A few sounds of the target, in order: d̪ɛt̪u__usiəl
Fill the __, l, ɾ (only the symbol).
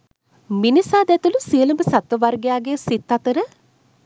l